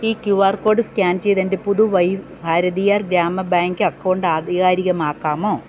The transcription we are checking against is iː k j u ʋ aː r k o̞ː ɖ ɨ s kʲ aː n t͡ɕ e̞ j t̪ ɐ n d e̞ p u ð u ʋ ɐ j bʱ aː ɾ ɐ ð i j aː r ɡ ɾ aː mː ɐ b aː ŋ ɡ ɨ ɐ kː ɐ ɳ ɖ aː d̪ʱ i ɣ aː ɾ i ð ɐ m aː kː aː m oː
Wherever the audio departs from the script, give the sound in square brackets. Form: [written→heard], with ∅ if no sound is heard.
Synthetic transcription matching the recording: iː k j u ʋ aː r k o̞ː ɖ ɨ s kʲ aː n t͡ɕ e̞ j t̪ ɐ n d e̞ p u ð u ʋ ɐ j bʱ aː ɾ ɐ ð i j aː r ɡ ɾ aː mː ɐ b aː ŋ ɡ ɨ ɐ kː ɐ ɳ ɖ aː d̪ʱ i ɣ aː ɾ i [ð→ɣ] ɐ m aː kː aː m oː